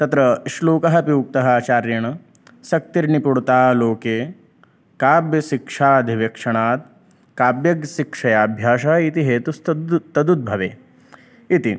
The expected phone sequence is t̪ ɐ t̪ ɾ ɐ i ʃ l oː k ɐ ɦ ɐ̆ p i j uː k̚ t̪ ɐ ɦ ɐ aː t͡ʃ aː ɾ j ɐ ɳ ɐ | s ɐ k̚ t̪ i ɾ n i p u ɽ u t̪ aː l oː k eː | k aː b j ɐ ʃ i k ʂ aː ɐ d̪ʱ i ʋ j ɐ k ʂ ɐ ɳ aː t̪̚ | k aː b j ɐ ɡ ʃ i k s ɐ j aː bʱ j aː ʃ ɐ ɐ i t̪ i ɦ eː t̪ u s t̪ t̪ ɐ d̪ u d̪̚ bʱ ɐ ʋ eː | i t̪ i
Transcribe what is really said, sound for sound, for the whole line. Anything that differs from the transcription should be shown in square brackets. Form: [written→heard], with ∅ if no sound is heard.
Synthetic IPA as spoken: t̪ ɐ t̪ ɾ ɐ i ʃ l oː k ɐ ɦ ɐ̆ p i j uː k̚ t̪ ɐ ɦ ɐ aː t͡ʃ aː ɾ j ɐ ɳ ɐ | s ɐ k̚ t̪ i ɾ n i p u ɽ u t̪ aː l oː k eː | k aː b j ɐ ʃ i k ʂ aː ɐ d̪ʱ i ʋ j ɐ k ʂ ɐ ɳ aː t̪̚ | k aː b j ɐ ɡ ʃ i k [s→ʂ] ɐ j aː bʱ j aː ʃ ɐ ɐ i t̪ i ɦ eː t̪ u s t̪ t̪ ɐ d̪ u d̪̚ bʱ ɐ ʋ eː | i t̪ i